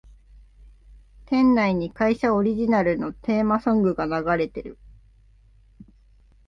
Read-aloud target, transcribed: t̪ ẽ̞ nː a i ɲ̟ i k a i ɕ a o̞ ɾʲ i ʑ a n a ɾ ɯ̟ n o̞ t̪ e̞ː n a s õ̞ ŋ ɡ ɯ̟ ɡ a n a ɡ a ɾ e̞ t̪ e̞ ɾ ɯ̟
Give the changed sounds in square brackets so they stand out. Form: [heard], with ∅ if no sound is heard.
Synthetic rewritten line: t̪ ẽ̞ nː a i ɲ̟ i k a i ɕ a o̞ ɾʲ i ʑ [i] n a ɾ ɯ̟ n o̞ t̪ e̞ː [m] a s õ̞ ŋ ɡ ɯ̟ ɡ a n a ɡ a ɾ e̞ t̪ e̞ ɾ ɯ̟

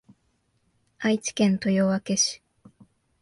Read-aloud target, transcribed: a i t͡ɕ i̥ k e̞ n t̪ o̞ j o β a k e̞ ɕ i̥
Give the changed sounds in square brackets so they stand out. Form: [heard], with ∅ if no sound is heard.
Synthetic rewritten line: a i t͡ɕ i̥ k [ẽ̞] n t̪ o̞ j o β a k e̞ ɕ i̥

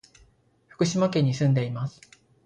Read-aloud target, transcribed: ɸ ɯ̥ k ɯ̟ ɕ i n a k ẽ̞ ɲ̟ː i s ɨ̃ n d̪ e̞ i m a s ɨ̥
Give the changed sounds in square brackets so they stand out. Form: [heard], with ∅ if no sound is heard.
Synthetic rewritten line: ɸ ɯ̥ k ɯ̟ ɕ i [m] a k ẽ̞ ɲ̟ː i s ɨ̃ n d̪ e̞ i m a s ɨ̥

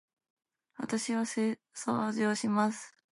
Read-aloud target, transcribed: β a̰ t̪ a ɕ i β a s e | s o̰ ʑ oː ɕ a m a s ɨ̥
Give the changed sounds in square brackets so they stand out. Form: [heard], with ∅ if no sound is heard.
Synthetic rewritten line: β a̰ t̪ a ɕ i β a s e | s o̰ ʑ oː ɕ [i] m a s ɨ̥

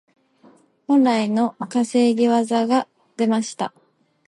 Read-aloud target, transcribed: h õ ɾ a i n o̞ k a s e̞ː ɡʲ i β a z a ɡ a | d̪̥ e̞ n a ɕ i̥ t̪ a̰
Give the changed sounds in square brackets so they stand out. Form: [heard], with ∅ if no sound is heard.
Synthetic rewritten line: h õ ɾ a i n o̞ k a s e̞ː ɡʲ i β a z a ɡ a | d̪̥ e̞ [m] a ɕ i̥ t̪ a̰

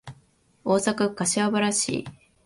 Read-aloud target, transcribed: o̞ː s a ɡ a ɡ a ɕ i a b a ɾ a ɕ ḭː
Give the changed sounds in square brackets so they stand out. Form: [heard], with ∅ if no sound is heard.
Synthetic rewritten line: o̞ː s a [k] a [k] a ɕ i a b a ɾ a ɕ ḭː

